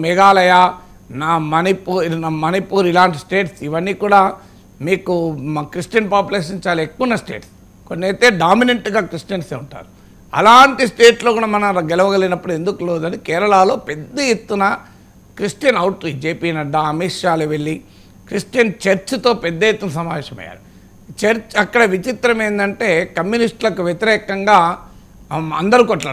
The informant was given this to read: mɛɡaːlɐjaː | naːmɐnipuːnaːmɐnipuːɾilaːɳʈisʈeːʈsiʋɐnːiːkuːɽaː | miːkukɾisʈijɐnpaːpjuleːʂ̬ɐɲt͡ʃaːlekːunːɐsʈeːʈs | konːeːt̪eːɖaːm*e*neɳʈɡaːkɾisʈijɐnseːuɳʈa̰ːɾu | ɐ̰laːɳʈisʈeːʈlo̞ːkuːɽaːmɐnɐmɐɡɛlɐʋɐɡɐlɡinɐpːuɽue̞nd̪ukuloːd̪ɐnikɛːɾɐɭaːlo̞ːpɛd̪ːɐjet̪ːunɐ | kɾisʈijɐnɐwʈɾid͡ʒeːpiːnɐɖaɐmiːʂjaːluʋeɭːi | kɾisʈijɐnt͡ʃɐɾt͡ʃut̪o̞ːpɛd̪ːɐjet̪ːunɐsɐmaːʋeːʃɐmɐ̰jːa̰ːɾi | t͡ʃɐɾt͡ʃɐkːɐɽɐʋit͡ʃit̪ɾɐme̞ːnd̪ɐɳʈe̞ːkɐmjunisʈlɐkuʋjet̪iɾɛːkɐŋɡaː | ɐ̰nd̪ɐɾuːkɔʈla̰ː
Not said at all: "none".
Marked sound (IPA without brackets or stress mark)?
i